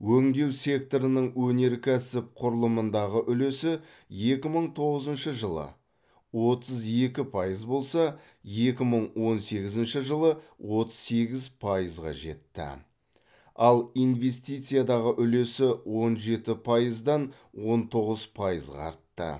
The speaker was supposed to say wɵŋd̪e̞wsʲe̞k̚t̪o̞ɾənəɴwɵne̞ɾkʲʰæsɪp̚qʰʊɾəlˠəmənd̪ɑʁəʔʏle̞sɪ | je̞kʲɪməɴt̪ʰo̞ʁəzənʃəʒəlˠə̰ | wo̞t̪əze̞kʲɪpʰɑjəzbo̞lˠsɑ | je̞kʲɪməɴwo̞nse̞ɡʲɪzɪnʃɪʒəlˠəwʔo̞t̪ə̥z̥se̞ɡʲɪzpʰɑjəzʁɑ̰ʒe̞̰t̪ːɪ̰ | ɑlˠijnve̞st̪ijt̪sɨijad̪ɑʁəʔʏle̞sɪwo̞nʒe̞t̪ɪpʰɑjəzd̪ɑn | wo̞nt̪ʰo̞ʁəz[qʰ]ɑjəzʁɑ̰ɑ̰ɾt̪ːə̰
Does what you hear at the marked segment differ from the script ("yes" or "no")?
yes